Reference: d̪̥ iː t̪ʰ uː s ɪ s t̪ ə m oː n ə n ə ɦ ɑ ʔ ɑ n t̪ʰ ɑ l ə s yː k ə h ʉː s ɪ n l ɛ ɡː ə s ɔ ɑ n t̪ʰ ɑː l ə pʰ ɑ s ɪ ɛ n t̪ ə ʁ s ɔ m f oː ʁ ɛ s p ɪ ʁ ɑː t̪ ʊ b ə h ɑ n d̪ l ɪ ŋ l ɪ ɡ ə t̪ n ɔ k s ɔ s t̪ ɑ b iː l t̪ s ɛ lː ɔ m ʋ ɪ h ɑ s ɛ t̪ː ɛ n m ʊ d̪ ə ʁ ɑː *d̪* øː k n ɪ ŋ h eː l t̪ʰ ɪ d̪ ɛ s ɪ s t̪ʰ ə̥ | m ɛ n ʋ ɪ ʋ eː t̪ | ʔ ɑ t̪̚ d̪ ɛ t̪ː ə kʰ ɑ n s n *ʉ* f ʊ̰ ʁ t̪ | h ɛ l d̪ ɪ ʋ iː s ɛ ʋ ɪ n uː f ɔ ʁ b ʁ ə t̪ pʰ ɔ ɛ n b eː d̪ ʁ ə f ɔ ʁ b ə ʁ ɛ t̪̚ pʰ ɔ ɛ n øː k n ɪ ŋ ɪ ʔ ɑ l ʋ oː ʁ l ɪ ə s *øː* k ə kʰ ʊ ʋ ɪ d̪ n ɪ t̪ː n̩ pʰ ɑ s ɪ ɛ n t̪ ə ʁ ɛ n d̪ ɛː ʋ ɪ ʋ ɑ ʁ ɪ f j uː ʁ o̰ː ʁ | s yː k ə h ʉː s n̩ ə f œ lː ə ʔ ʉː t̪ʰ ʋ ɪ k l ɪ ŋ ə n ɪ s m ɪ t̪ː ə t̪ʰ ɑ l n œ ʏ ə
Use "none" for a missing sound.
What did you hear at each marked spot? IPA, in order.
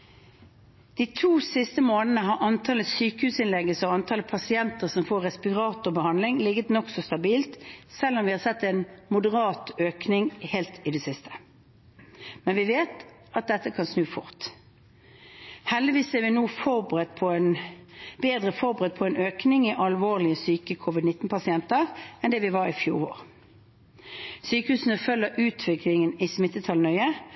t̪, ʉː, yː

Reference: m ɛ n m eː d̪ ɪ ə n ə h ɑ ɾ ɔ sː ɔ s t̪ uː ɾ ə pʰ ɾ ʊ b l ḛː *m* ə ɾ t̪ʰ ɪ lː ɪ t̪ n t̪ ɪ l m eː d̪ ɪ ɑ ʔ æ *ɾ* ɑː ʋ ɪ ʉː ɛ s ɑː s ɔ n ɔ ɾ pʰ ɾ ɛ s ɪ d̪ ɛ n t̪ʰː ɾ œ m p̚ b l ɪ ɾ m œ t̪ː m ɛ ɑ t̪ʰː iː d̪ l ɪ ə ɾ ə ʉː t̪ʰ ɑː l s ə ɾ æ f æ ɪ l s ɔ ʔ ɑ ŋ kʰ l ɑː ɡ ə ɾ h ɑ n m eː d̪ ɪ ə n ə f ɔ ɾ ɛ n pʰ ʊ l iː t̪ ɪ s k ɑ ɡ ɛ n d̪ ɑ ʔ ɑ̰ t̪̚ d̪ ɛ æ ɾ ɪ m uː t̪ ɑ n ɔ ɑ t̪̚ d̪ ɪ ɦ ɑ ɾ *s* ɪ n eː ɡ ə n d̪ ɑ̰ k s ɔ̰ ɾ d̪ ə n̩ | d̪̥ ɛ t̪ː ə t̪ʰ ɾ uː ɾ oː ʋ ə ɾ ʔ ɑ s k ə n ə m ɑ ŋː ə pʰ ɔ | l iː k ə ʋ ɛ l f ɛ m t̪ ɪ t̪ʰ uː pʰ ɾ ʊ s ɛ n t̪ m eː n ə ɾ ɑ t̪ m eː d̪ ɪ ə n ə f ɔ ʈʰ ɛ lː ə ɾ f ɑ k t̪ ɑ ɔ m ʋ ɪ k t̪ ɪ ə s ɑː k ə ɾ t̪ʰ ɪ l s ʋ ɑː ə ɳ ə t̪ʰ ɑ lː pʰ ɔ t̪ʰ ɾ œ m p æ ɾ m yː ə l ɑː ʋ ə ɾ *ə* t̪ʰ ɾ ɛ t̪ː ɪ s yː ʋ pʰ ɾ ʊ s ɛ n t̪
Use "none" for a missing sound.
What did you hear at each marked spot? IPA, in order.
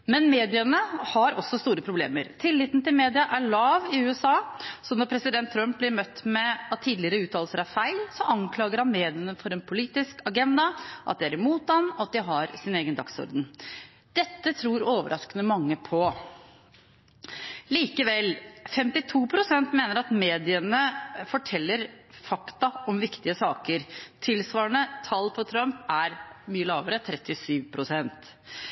m, ɭ, s, ə

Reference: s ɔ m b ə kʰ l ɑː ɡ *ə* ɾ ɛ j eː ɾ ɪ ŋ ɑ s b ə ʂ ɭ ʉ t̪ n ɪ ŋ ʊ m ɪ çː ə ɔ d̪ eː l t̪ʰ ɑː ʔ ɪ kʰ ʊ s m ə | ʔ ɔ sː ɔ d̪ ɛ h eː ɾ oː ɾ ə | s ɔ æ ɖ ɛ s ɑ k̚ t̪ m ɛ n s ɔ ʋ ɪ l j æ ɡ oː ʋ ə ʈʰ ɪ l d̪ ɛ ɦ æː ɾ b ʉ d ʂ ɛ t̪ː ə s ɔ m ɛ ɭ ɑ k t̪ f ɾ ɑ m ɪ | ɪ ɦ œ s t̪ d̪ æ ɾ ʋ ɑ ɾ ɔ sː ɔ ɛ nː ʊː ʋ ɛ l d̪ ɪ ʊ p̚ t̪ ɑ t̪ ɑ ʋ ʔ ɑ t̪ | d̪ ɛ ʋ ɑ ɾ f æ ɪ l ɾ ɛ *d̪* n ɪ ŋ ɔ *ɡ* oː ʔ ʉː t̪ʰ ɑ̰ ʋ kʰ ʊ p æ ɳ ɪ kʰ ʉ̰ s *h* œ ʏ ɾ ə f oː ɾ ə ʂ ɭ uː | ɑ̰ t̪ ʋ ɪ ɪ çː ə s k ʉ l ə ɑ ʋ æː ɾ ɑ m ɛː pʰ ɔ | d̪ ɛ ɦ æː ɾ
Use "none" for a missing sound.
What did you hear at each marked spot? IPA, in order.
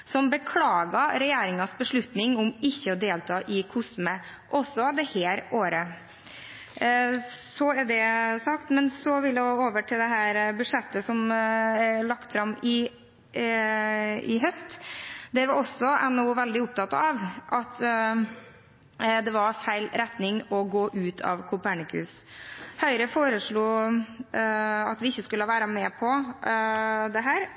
ɑ, t̪, ɡ, h

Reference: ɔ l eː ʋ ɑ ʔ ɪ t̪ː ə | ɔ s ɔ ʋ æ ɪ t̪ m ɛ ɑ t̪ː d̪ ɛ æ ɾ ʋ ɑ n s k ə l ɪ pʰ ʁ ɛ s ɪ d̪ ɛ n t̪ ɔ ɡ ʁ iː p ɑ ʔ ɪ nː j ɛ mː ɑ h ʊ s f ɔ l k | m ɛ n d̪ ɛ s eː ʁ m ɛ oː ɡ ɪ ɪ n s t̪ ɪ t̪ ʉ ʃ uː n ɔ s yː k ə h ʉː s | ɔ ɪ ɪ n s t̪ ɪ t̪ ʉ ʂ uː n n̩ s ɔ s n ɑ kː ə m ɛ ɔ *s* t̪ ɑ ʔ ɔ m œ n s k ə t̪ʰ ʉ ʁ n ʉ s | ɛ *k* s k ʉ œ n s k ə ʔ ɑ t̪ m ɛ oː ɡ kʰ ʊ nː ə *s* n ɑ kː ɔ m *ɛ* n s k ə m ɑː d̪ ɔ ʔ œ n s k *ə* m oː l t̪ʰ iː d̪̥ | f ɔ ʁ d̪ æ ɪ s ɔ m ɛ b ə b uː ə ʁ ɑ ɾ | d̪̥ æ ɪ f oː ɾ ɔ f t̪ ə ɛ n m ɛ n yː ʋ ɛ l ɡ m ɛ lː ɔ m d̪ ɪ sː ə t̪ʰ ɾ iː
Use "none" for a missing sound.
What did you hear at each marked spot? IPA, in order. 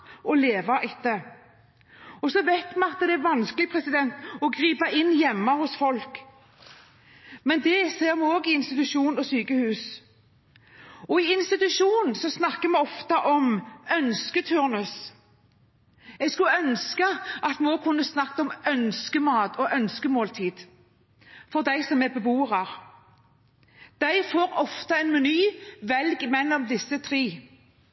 f, ɡ, s, œ, ə

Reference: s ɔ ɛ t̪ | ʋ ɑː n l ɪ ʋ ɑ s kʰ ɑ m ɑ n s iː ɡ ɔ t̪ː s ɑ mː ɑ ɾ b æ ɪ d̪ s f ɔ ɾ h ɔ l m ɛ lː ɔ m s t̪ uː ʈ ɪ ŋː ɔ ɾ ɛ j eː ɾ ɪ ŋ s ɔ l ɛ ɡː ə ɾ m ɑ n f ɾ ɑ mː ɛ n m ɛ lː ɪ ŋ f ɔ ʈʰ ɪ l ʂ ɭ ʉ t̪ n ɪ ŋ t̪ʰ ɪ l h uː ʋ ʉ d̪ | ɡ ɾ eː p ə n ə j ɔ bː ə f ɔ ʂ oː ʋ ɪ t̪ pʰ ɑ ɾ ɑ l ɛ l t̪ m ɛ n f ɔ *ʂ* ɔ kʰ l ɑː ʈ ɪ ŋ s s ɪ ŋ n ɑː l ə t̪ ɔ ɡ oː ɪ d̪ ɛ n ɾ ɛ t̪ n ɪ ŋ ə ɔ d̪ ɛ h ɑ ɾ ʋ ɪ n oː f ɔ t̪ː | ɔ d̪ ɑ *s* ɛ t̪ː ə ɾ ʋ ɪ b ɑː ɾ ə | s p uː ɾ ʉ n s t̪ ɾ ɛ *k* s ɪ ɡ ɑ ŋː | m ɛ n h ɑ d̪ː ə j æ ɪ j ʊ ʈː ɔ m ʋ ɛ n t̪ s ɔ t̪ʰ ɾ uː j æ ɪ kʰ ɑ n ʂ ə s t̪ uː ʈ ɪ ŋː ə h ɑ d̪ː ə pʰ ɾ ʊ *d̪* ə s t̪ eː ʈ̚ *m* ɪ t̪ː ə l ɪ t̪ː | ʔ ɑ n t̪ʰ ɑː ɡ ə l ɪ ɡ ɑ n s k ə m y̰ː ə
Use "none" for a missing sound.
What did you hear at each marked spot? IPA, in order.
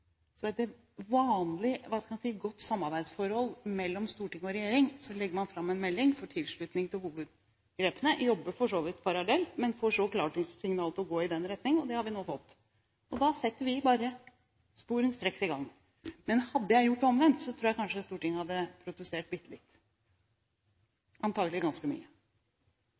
ʂ, s, k, t̪, b

